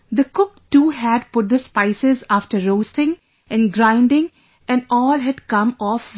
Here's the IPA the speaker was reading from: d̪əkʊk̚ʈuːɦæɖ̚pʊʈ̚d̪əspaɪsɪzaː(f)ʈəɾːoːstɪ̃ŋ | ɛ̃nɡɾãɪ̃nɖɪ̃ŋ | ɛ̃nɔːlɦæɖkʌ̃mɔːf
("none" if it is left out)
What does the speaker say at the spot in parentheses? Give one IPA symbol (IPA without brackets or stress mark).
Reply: f